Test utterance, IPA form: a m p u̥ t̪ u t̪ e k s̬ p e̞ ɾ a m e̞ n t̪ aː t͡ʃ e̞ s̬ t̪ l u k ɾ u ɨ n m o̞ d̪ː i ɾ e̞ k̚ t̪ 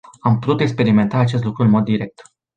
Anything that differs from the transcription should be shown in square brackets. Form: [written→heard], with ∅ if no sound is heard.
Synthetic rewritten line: a m p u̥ t̪ u t̪ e k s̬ p e̞ ɾ [a→i] m e̞ n t̪ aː t͡ʃ e̞ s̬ t̪ l u k ɾ u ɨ n m o̞ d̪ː i ɾ e̞ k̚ t̪